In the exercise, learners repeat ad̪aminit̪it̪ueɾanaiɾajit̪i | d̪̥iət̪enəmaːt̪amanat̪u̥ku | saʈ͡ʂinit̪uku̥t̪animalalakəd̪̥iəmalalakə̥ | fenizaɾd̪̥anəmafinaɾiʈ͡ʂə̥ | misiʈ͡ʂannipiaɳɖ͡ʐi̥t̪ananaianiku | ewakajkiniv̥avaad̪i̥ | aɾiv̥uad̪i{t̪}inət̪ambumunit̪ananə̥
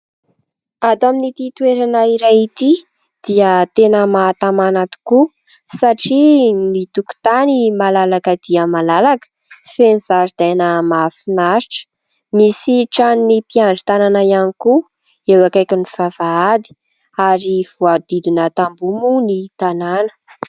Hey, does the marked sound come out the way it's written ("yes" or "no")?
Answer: no